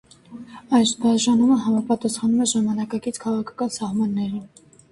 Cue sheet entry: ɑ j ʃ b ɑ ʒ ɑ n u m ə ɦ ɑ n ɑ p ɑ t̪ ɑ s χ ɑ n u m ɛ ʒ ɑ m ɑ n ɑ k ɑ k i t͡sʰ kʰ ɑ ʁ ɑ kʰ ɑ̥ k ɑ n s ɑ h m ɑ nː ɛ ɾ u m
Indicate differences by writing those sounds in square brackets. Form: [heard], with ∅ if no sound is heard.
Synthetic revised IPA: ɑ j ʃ b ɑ ʒ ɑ n u m ə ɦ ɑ [m] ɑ p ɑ t̪ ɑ s χ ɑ n u m ɛ ʒ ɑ m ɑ n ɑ k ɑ k i t͡sʰ kʰ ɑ ʁ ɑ kʰ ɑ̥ k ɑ n s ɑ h m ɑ nː ɛ ɾ u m